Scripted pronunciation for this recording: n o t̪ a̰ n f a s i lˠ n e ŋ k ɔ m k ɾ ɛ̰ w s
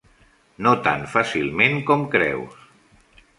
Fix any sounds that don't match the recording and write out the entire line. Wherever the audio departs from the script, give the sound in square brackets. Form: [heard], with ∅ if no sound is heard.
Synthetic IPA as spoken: n o t̪ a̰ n f a s i lˠ [m] e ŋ k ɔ m k ɾ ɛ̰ w s